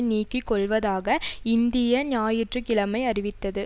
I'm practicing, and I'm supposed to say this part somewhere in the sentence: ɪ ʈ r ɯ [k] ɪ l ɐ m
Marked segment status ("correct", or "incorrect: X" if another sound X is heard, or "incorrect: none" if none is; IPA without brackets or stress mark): correct